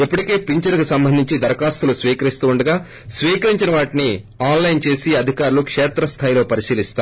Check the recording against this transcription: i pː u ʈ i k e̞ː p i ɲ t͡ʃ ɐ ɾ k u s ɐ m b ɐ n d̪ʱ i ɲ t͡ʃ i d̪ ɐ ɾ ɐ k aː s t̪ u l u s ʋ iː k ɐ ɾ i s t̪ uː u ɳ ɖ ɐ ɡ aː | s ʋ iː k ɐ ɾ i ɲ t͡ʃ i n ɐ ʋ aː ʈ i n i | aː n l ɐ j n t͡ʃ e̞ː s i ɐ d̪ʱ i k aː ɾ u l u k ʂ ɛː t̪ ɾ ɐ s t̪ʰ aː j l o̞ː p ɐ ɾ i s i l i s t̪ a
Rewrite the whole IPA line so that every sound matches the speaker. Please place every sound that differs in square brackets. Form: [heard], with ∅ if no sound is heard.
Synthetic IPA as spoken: i pː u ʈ i k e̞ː p i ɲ t͡ʃ ɐ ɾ k u s ɐ m b ɐ n d̪ʱ i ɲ t͡ʃ i d̪ ɐ ɾ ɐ k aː s t̪ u l u s ʋ iː k ɐ ɾ i s t̪ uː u ɳ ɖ ɐ ɡ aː | s ʋ iː k ɐ ɾ i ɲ t͡ʃ i n ɐ ʋ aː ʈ i n i | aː n l ɐ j n t͡ʃ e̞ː s i ɐ d̪ʱ i k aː ɾ u l u k ʂ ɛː t̪ ɾ ɐ s t̪ʰ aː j l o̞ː p ɐ ɾ i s [iː] l i s t̪ a